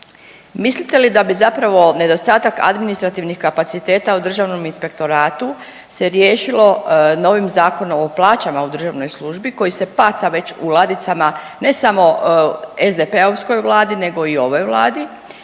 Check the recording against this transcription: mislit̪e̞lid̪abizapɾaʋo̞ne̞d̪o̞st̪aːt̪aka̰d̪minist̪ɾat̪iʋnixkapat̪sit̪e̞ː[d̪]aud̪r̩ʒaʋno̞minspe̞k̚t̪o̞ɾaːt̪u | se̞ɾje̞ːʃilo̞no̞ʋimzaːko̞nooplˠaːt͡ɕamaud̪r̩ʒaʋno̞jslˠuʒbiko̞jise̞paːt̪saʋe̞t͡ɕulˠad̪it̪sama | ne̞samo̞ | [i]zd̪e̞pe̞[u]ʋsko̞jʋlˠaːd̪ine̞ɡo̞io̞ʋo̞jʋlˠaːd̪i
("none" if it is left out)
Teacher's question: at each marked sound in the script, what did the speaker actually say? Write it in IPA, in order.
t̪, e, o

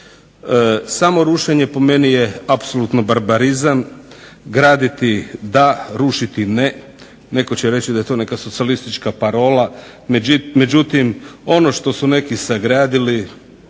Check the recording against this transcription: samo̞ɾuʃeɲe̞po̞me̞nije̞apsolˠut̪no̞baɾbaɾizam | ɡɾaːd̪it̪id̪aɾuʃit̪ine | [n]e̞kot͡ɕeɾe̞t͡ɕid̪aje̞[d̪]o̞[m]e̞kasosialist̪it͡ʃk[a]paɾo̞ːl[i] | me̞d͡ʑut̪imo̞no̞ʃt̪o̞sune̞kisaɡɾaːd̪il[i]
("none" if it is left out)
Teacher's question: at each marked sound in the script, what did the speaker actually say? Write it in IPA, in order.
n, t̪, n, a, a, i

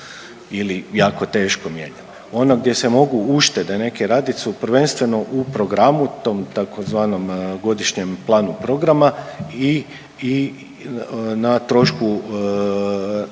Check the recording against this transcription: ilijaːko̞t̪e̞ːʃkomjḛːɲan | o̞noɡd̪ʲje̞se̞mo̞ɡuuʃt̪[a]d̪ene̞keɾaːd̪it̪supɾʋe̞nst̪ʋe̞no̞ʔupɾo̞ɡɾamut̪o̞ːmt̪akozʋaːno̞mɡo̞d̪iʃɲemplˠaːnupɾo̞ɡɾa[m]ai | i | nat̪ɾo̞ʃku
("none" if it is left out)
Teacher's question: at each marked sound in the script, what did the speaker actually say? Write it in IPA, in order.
e, m

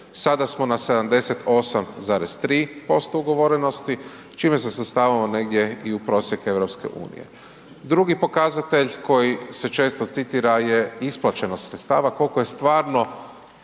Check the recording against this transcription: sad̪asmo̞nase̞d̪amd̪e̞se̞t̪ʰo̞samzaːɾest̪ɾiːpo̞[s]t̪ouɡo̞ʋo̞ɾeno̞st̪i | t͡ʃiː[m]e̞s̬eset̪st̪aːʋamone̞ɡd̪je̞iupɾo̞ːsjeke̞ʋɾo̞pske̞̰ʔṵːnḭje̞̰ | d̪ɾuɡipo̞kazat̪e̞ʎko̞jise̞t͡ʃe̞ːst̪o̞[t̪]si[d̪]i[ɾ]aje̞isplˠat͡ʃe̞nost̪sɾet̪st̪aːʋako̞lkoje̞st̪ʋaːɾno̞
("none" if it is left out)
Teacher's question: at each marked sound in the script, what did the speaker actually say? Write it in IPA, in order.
s, m, t̪, t̪, ɾ

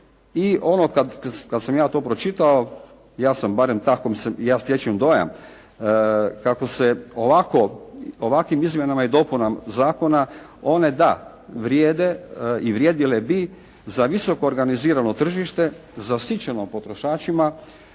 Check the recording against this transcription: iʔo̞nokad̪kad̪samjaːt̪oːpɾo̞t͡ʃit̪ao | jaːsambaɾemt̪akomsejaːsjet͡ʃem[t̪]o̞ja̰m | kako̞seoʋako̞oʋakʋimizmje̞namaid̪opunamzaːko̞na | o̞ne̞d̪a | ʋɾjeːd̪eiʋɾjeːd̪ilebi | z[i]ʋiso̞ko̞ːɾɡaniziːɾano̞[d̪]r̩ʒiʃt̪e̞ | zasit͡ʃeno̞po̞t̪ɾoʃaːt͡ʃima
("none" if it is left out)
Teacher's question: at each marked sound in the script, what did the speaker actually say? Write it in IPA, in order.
d̪, a, t̪

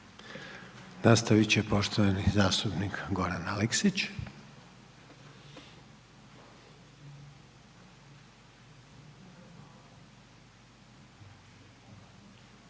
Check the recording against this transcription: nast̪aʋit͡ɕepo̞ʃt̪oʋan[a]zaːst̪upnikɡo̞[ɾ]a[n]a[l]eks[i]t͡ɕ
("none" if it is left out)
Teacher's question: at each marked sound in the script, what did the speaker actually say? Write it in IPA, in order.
i, ɾ, n, l, i

